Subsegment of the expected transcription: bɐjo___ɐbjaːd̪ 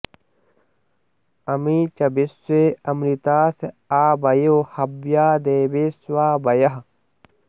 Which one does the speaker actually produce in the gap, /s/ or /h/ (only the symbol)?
h